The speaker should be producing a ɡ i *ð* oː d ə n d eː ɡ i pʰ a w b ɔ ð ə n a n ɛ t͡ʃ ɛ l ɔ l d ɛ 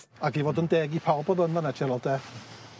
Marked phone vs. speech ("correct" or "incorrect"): incorrect